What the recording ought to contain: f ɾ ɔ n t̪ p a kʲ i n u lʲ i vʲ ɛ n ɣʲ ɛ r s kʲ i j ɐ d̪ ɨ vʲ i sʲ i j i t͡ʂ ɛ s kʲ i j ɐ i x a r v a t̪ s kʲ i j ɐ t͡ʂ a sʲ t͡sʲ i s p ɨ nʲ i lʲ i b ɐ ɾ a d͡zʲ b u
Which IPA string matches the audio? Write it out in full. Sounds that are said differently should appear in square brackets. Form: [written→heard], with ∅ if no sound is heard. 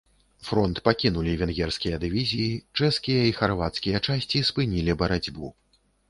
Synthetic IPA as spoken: f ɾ ɔ n t̪ p a kʲ i n u lʲ i vʲ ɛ n ɣʲ ɛ r s kʲ i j ɐ d̪ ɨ vʲ i [sʲ→zʲ] i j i t͡ʂ ɛ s kʲ i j ɐ i x a r v a t̪ s kʲ i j ɐ t͡ʂ a sʲ t͡sʲ i s p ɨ nʲ i lʲ i b ɐ ɾ a d͡zʲ b u